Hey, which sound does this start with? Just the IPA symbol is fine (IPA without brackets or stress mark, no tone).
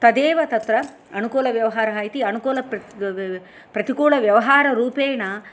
t̪